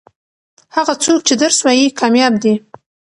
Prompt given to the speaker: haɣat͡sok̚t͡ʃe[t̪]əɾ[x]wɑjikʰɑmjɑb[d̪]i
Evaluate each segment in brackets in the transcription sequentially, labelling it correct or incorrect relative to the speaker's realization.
incorrect, incorrect, correct

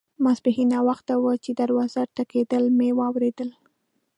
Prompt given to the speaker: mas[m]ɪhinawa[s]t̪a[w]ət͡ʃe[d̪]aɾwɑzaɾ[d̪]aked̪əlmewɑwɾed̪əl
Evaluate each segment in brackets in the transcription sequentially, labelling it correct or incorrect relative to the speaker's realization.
incorrect, incorrect, correct, correct, incorrect

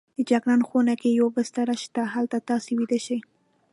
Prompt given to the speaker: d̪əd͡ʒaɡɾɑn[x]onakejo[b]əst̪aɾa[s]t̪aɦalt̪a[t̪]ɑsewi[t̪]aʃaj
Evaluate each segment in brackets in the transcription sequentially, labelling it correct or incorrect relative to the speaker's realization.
correct, correct, incorrect, correct, incorrect

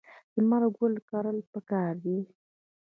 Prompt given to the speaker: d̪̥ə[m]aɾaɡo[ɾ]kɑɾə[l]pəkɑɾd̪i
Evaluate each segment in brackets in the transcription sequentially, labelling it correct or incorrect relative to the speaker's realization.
correct, incorrect, correct

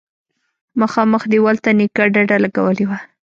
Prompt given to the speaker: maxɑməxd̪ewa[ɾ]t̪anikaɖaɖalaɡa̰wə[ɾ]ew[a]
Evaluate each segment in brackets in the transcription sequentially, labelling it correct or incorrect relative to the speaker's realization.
incorrect, incorrect, correct

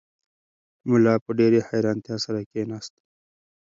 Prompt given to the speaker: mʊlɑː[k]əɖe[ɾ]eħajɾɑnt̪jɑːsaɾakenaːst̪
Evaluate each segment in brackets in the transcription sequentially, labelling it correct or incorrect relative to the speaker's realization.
incorrect, correct

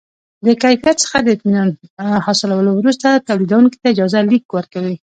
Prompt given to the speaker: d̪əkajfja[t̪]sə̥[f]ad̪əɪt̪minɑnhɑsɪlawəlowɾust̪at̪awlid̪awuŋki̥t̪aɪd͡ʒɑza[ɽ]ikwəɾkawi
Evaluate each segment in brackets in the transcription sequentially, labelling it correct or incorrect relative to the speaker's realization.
correct, incorrect, incorrect

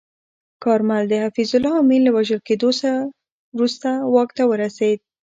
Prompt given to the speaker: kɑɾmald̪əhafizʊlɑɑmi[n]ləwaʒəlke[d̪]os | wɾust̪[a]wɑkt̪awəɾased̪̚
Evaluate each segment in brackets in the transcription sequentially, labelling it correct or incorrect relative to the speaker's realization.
correct, correct, correct

